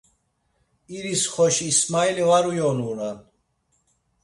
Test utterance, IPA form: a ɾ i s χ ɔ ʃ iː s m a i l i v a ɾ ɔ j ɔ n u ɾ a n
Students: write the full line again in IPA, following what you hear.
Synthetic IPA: i ɾ i s χ ɔ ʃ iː s m a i l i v a ɾ u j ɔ n u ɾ a n